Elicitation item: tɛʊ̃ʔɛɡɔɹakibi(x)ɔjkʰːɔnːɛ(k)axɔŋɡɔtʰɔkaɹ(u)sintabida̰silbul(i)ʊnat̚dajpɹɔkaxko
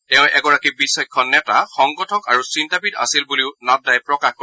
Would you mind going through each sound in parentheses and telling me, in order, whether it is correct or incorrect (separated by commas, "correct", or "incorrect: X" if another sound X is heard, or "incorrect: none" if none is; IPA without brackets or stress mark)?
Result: incorrect: s, incorrect: t, correct, correct